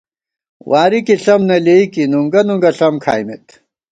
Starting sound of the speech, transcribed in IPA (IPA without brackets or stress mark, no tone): w